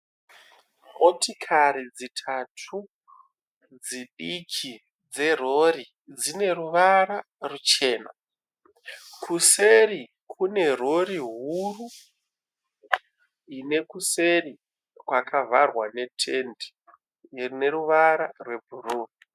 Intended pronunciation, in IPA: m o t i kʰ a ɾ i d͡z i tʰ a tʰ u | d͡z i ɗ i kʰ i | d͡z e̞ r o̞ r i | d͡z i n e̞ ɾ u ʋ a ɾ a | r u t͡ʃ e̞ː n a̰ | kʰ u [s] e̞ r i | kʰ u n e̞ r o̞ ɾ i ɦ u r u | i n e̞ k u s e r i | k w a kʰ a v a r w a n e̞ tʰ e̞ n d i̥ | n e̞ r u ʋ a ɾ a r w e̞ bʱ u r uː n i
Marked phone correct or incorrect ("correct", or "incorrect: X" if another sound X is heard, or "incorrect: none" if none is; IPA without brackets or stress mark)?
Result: correct